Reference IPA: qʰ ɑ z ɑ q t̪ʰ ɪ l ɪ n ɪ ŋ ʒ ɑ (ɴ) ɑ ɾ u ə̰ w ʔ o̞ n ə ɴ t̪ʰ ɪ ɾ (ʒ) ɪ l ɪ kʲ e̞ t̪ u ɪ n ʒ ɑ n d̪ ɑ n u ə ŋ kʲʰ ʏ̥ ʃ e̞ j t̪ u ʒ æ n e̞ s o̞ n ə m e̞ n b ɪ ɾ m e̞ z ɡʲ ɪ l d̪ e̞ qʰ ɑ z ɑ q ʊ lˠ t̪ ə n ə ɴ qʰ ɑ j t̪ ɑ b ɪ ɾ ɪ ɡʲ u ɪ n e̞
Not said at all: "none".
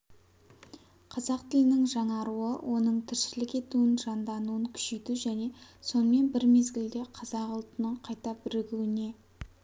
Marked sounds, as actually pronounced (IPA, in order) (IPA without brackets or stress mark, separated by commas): ɴ, ʃ